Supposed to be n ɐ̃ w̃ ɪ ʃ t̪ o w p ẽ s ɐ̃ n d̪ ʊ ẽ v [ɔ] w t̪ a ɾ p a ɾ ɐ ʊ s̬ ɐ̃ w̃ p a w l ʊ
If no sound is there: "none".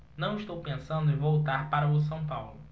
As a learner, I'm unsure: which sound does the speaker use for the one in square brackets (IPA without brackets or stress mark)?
o